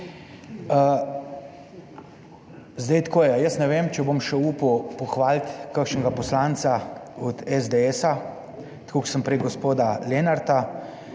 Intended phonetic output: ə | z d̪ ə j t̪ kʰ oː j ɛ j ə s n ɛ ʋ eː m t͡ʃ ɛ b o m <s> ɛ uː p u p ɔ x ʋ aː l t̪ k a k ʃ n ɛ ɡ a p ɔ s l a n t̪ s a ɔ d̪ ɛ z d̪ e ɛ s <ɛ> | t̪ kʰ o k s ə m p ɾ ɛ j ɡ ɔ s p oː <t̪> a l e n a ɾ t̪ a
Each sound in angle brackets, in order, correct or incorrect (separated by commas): incorrect, incorrect, incorrect